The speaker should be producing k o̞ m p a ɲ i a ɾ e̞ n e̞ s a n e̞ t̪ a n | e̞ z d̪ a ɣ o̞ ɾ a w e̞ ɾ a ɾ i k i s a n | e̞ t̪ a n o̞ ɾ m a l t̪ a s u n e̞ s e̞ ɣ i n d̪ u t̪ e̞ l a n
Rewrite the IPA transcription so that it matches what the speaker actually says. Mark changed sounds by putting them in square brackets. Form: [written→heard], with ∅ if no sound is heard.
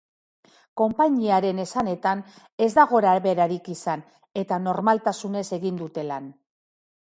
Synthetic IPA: k o̞ m p a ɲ i a ɾ e̞ n e̞ s a n e̞ t̪ a n | e̞ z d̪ a ɣ o̞ ɾ a [w→β] e̞ ɾ a ɾ i k i s a n | e̞ t̪ a n o̞ ɾ m a l t̪ a s u n e̞ s e̞ ɣ i n d̪ u t̪ e̞ l a n

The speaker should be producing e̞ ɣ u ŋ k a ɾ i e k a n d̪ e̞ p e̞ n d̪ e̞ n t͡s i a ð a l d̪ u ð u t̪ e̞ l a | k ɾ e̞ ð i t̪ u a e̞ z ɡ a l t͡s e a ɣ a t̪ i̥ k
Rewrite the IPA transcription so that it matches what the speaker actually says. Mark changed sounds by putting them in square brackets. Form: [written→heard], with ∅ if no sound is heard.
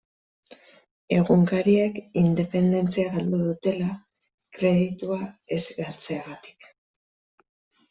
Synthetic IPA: e̞ ɣ u ŋ k a ɾ i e k [a→i] n d̪ e̞ p e̞ n d̪ e̞ n t͡s i a [ð→ɣ] a l d̪ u ð u t̪ e̞ l a | k ɾ e̞ ð i t̪ u a e̞ z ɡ a l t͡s e a ɣ a t̪ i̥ k

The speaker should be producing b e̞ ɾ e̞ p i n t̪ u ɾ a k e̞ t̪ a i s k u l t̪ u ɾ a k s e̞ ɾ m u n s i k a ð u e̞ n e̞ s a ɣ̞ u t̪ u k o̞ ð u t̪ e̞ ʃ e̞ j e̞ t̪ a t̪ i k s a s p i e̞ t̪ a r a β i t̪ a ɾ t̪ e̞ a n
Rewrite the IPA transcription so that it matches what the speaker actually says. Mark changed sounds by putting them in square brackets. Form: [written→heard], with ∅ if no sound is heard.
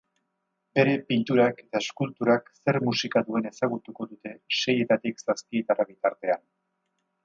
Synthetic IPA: b e̞ ɾ e̞ p i n t̪ u ɾ a k e̞ t̪ a [i→e] s k u l t̪ u ɾ a k s e̞ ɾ m u [n→∅] s i k a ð u e̞ n e̞ s a ɣ̞ u t̪ u k o̞ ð u t̪ e̞ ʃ e̞ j e̞ t̪ a t̪ i k s a s p i e̞ t̪ a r a β i t̪ a ɾ t̪ e̞ a n

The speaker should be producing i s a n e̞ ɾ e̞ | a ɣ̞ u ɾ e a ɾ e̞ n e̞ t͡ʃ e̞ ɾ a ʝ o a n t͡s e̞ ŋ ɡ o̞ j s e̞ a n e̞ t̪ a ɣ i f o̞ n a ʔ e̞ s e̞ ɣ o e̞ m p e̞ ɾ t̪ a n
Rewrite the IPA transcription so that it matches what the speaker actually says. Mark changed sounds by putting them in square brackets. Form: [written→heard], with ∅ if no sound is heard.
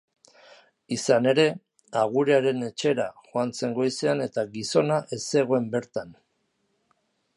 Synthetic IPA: i s a n e̞ ɾ e̞ | a ɣ̞ u ɾ e a ɾ e̞ n e̞ t͡ʃ e̞ ɾ a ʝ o a n t͡s e̞ ŋ ɡ o̞ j s e̞ a n e̞ t̪ a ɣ i [f→s] o̞ n a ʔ e̞ s e̞ ɣ o e̞ m [p→b] e̞ ɾ t̪ a n

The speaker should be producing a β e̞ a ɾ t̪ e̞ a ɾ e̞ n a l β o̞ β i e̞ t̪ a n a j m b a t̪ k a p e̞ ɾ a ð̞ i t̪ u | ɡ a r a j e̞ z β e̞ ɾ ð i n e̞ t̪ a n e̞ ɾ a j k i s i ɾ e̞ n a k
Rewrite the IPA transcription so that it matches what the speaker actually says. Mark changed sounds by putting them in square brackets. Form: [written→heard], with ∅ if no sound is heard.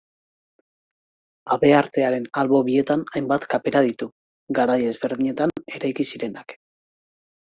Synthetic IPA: a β e̞ a ɾ t̪ e̞ a ɾ e̞ n a l β o̞ β i e̞ t̪ a n a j m b a t̪ k a p e̞ ɾ a ð̞ i t̪ u | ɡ a [r→ɾ] a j e̞ z β e̞ ɾ ð i [n→ɲ] e̞ t̪ a n e̞ ɾ a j k i s i ɾ e̞ n a k

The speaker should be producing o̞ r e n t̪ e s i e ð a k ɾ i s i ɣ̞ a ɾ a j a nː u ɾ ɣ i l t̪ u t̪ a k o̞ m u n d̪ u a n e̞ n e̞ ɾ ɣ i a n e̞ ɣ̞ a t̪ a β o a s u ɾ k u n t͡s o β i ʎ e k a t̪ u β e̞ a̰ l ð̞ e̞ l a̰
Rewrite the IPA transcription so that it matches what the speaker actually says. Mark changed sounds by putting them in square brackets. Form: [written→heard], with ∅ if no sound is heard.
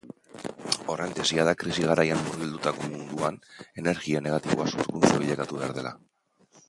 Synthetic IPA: o̞ r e n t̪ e s i [e→a] ð a k ɾ i s i ɣ̞ a ɾ a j a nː u ɾ ɣ i l [t̪→d̪] u t̪ a k o̞ m u n d̪ u a n e̞ n e̞ ɾ ɣ i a n e̞ ɣ̞ a t̪ [a→i] β o a s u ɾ k u n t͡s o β i ʎ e k a t̪ u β e̞ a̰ [l→ɾ] ð̞ e̞ l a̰

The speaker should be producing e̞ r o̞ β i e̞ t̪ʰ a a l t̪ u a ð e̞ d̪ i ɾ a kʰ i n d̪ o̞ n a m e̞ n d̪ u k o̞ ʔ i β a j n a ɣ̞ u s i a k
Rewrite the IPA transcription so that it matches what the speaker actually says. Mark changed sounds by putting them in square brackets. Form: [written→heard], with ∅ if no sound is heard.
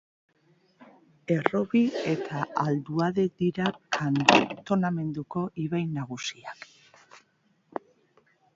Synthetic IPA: e̞ r o̞ β i e̞ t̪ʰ a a l [t̪→d̪] u a ð e̞ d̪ i ɾ a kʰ [i→a] n [d̪→t̪] o̞ n a m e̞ n d̪ u k o̞ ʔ i β a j n a ɣ̞ u s i a k

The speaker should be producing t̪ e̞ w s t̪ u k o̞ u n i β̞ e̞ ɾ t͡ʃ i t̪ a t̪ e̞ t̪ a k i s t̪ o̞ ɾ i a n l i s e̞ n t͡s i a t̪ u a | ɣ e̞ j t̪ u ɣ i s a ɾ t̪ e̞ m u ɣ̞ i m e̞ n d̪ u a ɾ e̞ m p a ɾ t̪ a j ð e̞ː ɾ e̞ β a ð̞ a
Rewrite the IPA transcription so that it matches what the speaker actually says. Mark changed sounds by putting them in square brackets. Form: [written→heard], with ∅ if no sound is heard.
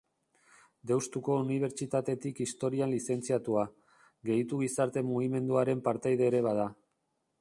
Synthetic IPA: [t̪→d̪] e̞ w s t̪ u k o̞ u n i β̞ e̞ ɾ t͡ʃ i t̪ a t̪ e̞ t̪ [a→i] k i s t̪ o̞ ɾ i a n l i s e̞ n t͡s i a t̪ u a | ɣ e̞ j t̪ u ɣ i s a ɾ t̪ e̞ m u ɣ̞ i m e̞ n d̪ u a ɾ e̞ m p a ɾ t̪ a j ð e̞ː ɾ e̞ β a ð̞ a

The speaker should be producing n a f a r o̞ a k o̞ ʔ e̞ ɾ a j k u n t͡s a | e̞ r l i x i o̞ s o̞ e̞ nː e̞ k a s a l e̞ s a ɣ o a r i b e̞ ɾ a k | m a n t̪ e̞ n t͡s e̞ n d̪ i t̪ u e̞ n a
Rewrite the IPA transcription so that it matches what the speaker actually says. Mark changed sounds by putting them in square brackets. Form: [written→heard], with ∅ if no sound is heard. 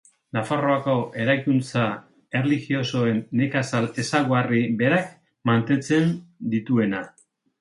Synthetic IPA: n a f a r o̞ a k o̞ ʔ e̞ ɾ a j k u n t͡s a | e̞ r l i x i o̞ s o̞ e̞ nː e̞ k a s a l e̞ s a ɣ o a r i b e̞ ɾ a k | m a n t̪ e̞ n t͡s e̞ n d̪ i t̪ u e̞ n a

